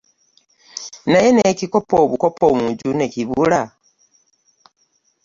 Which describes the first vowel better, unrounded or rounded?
unrounded